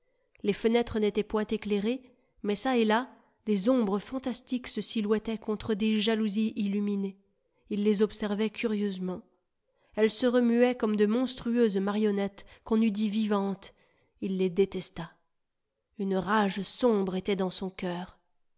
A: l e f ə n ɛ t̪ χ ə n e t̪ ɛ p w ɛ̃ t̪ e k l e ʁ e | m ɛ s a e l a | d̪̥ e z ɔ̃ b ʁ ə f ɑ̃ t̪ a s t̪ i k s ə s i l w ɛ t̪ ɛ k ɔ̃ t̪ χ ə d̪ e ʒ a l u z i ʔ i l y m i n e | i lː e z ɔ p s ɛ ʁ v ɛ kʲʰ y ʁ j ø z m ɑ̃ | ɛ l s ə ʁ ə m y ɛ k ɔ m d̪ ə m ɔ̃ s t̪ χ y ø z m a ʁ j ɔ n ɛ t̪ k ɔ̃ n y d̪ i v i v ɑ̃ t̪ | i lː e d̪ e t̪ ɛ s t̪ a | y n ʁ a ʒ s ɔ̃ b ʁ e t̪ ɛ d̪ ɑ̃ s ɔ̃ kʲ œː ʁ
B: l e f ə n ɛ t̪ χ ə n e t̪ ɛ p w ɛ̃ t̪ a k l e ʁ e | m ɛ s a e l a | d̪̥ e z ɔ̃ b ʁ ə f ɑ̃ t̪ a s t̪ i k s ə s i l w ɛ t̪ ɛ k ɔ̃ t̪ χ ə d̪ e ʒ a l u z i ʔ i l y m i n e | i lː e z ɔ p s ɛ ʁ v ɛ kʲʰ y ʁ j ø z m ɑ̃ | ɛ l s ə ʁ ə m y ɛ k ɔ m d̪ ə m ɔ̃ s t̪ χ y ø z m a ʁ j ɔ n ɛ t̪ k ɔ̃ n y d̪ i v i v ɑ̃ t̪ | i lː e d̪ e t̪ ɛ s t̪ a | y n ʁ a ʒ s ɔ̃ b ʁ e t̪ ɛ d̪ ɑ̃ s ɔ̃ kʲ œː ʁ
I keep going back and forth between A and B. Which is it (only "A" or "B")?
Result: A